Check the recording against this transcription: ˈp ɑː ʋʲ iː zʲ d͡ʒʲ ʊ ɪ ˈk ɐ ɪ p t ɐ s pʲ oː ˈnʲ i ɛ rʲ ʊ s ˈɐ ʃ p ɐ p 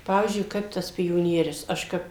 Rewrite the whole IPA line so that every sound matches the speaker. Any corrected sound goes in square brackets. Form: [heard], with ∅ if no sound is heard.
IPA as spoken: ˈp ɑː ʋʲ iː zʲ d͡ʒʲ ʊ ɪ ˈk ɐ ɪ p t ɐ s pʲ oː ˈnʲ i ɛ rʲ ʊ s ˈɐ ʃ [k] ɐ p